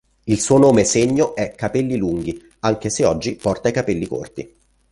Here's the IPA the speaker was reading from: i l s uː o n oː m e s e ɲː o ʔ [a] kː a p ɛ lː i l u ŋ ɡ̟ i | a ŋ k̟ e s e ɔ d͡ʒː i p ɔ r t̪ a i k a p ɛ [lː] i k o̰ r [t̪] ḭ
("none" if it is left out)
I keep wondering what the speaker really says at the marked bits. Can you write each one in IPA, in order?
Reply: ɛ, lː, t̪

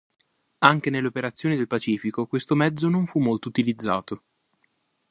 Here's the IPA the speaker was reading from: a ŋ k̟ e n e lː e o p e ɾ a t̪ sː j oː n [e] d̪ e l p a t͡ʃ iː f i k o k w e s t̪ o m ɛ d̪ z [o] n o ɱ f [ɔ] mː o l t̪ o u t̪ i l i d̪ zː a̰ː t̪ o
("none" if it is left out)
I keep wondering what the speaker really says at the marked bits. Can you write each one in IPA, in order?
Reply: i, o, u

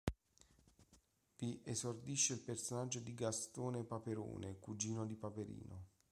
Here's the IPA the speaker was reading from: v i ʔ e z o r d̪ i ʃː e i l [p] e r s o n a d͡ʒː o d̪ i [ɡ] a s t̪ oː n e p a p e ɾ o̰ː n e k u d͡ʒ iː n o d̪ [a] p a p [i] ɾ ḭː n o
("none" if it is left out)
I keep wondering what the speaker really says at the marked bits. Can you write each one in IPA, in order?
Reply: p, ɡ, i, e

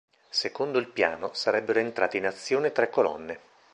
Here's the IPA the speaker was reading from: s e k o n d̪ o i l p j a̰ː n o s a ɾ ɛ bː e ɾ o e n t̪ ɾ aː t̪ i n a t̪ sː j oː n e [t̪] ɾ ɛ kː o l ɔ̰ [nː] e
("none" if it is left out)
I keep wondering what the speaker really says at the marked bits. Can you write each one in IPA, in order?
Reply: t̪, nː

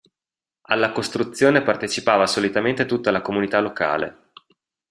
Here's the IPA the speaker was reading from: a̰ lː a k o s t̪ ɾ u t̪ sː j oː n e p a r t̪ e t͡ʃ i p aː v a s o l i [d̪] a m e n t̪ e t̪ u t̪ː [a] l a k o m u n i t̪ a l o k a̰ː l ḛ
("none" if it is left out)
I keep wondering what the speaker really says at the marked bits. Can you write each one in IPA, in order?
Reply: t̪, a

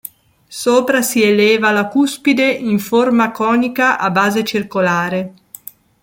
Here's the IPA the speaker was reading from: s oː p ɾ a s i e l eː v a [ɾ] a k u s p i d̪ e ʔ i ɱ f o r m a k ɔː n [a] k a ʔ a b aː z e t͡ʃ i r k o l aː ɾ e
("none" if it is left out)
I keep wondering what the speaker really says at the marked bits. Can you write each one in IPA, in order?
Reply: l, i

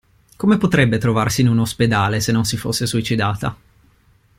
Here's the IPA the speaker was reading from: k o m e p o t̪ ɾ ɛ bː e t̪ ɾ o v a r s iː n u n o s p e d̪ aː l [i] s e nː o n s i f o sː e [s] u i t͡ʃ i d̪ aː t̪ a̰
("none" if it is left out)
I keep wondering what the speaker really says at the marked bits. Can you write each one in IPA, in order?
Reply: e, s

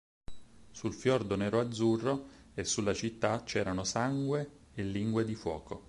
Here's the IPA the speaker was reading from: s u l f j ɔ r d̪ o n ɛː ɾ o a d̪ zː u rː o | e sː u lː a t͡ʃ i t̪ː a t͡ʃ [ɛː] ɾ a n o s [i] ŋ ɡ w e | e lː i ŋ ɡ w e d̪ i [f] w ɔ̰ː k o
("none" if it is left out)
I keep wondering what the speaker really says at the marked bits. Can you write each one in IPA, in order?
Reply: ɛː, a, f

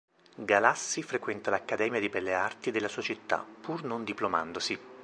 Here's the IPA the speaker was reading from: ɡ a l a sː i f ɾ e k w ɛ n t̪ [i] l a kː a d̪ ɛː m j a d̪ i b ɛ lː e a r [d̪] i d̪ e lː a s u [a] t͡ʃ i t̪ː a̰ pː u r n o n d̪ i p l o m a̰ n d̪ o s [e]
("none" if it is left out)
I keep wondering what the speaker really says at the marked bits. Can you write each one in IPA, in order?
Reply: a, t̪, a, i

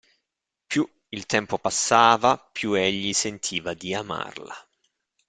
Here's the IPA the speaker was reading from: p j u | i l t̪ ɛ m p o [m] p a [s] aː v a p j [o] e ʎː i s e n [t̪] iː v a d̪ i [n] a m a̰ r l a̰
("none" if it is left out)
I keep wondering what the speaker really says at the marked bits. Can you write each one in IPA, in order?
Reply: none, sː, u, t̪ʰ, none

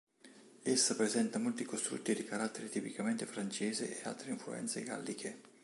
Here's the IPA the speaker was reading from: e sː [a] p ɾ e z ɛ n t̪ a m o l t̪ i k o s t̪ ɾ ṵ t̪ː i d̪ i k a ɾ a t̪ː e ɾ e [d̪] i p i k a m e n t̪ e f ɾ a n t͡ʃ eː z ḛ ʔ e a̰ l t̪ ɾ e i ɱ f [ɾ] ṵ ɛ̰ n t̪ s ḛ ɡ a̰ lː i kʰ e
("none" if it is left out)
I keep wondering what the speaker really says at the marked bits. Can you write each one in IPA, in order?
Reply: a, t̪, l

